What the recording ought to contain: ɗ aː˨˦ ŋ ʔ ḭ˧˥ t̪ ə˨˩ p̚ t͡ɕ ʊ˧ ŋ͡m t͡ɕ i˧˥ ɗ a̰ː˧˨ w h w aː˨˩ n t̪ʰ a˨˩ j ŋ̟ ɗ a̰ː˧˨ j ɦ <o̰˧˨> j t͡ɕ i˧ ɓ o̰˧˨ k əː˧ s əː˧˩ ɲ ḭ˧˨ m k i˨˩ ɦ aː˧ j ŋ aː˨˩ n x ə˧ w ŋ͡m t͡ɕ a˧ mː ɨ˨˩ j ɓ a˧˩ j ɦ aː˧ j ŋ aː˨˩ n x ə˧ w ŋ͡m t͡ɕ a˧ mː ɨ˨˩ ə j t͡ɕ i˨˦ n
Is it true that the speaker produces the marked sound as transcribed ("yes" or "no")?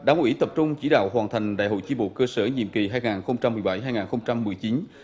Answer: yes